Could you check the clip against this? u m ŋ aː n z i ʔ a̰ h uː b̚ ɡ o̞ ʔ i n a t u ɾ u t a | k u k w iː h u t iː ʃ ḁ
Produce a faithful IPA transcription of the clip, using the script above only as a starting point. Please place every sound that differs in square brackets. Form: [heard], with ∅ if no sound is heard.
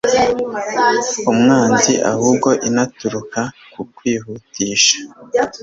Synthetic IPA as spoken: u m ŋ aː n z i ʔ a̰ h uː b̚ ɡ o̞ ʔ i n a t u ɾ u [k] a | k u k w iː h u t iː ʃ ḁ